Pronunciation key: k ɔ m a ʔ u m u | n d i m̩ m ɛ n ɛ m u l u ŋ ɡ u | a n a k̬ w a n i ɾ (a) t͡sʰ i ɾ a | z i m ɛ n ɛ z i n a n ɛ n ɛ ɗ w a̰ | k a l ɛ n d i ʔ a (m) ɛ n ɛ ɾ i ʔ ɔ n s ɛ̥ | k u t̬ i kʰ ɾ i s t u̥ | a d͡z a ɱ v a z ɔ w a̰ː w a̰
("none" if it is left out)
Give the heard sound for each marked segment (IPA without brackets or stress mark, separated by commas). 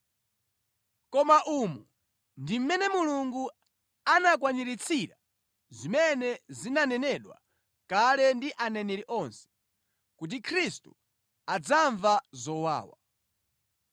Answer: i, n